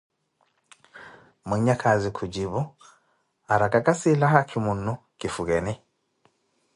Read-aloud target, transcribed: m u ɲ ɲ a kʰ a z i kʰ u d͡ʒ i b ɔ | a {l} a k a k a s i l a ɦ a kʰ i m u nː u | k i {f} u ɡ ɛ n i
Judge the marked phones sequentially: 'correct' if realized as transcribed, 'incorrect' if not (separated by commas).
incorrect, correct